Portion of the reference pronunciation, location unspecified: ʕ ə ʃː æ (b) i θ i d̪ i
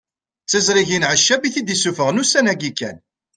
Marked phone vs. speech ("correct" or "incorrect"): correct